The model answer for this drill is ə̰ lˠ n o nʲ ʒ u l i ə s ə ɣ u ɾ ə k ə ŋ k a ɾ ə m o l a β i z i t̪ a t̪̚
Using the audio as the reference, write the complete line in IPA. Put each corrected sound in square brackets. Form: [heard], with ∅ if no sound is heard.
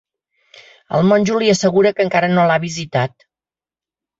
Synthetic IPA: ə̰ lˠ [m] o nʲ ʒ u l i ə s ə ɣ u ɾ ə k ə ŋ k a ɾ ə [n] o l a β i z i t̪ a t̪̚